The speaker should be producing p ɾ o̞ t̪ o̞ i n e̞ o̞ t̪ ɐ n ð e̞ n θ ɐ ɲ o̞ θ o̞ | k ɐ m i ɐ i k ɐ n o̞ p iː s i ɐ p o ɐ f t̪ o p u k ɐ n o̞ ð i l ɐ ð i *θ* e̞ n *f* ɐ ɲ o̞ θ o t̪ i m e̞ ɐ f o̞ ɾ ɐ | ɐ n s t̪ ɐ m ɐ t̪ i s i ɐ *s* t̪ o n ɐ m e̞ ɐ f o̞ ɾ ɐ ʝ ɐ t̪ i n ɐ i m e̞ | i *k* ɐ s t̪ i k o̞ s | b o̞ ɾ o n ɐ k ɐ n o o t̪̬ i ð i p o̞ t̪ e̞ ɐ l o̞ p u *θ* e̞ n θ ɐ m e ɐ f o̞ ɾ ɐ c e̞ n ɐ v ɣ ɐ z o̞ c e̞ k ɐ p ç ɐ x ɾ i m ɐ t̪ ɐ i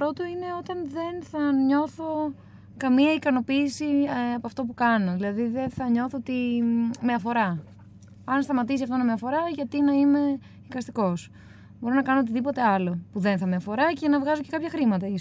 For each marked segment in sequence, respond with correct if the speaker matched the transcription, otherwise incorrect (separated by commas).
incorrect, incorrect, incorrect, correct, incorrect